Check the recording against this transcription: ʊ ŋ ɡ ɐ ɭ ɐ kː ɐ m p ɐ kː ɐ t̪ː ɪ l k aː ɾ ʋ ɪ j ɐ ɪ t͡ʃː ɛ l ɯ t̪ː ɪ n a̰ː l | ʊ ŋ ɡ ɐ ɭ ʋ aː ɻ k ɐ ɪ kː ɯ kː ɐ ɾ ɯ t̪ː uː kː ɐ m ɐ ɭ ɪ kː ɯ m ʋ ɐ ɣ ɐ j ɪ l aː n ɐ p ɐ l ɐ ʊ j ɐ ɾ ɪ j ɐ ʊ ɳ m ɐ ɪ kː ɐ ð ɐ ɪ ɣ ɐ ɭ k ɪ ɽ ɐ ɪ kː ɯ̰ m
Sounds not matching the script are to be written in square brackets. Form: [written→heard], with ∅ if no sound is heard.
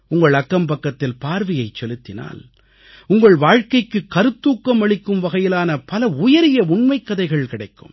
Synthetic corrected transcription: ʊ ŋ ɡ ɐ ɭ ɐ kː ɐ m p ɐ kː ɐ t̪ː ɪ l [k→p] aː ɾ ʋ ɪ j ɐ ɪ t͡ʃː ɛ l ɯ t̪ː ɪ n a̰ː l | ʊ ŋ ɡ ɐ ɭ ʋ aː ɻ k ɐ ɪ kː ɯ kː ɐ ɾ ɯ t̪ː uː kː ɐ m ɐ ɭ ɪ kː ɯ m ʋ ɐ ɣ ɐ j ɪ l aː n ɐ p ɐ l ɐ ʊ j ɐ ɾ ɪ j ɐ ʊ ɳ m ɐ ɪ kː ɐ ð ɐ ɪ ɣ ɐ ɭ k ɪ ɽ ɐ ɪ kː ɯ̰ m